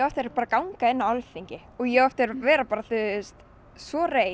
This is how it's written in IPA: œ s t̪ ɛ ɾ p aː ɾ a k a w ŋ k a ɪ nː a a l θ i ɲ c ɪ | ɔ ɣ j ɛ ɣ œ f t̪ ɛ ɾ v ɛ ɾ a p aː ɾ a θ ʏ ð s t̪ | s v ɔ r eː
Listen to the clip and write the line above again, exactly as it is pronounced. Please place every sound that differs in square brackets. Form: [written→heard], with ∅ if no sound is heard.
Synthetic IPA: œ [s→f] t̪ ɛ ɾ p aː ɾ a k a w ŋ k a ɪ nː a a l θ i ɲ c ɪ | ɔ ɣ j ɛ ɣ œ f t̪ ɛ ɾ v [ɛ→ɛː] ɾ a p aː ɾ a θ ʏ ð s t̪ | s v ɔ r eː